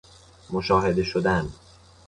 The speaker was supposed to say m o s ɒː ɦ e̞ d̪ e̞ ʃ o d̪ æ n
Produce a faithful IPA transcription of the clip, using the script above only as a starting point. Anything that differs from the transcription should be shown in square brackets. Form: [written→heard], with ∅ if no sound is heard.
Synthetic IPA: m o [s→ʃ] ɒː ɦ e̞ d̪ e̞ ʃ o d̪ æ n